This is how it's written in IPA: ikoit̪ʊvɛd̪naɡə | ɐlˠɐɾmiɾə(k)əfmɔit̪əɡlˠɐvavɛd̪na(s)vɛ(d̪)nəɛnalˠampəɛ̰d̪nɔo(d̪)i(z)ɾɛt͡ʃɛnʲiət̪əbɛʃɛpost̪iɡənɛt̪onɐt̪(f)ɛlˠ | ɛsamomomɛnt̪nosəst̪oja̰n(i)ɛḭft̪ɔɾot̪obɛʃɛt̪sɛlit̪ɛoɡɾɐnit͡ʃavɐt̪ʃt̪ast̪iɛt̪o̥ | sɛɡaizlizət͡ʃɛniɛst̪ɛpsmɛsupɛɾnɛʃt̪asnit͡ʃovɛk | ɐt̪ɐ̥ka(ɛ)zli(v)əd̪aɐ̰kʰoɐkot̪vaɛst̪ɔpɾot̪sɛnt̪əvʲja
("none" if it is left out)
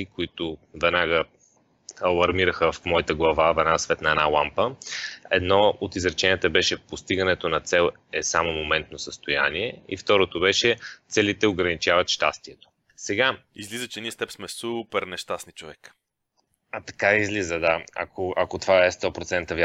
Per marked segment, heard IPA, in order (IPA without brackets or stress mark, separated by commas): x, s, t̪, t̪, z, s, i, i, z